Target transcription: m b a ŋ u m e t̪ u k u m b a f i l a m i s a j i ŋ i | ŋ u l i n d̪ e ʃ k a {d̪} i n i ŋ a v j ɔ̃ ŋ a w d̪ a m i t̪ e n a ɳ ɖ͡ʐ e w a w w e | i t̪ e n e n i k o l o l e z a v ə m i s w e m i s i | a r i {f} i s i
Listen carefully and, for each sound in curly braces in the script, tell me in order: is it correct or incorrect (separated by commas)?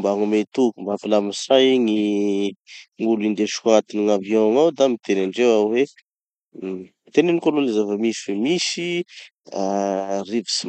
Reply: incorrect, incorrect